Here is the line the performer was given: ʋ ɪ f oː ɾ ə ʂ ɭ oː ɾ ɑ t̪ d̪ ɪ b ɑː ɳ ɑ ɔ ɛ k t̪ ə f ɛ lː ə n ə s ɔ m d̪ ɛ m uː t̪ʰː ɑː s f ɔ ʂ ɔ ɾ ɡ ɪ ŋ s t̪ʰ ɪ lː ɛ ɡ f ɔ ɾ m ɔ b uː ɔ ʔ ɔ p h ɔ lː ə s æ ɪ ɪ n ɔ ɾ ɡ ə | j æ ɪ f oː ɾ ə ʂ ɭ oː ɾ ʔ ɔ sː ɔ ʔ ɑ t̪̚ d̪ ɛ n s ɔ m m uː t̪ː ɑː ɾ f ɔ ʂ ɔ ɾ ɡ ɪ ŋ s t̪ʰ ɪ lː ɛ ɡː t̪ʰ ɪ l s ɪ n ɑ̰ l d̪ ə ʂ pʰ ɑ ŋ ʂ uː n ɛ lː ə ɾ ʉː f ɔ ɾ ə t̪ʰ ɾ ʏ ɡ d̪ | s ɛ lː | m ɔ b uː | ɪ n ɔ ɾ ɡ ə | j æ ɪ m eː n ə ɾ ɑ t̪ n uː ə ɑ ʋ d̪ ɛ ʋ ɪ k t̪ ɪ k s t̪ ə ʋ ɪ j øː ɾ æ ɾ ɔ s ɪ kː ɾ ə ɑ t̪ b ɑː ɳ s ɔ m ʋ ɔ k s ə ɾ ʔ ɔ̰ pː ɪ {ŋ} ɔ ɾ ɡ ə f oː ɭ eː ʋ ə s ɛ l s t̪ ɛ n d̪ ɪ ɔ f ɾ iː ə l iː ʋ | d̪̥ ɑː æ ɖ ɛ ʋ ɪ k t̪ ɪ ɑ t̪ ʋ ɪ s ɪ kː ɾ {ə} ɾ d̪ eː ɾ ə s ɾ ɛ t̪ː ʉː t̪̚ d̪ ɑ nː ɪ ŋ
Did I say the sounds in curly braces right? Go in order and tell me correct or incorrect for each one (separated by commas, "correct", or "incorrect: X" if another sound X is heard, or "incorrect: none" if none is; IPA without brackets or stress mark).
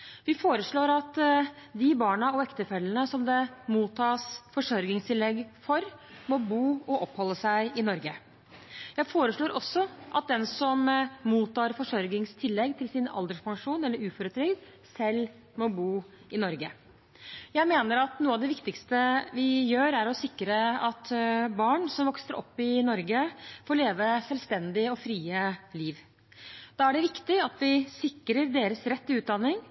incorrect: n, correct